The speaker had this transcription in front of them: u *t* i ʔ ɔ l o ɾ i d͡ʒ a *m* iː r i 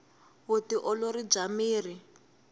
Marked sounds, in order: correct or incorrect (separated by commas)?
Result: correct, correct